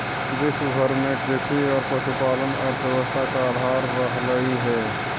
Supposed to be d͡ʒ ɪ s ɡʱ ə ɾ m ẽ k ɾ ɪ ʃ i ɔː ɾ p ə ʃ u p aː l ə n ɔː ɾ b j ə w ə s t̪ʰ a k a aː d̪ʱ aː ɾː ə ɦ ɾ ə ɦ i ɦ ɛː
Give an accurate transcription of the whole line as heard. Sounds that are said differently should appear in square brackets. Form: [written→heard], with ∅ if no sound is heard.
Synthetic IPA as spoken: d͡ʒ ɪ s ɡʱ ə ɾ m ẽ k ɾ ɪ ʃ i ɔː ɾ p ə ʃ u p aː l ə n ɔː ɾ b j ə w ə s t̪ʰ a k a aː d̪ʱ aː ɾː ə ɦ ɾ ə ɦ i ɦ ɛː